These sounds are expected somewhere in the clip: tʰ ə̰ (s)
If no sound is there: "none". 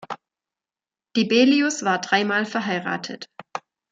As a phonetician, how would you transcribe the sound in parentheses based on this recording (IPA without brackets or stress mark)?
t